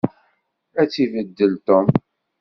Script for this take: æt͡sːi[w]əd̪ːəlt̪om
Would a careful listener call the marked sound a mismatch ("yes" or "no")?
yes